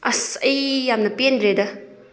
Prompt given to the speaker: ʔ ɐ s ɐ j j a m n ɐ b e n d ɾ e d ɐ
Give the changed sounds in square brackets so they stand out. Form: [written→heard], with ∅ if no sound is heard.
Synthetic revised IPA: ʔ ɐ s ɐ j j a m n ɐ [b→p] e n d ɾ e d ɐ